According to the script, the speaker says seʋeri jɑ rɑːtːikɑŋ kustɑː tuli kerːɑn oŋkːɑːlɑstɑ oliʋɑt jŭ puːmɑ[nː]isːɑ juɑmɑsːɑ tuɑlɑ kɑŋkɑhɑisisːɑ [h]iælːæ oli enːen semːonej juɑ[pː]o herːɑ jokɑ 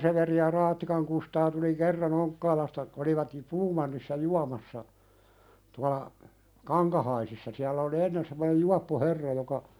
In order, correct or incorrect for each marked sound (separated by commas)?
correct, incorrect, correct